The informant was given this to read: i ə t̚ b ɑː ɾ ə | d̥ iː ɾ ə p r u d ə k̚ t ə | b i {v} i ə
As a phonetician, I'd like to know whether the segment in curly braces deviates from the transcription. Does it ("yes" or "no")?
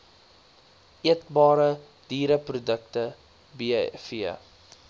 yes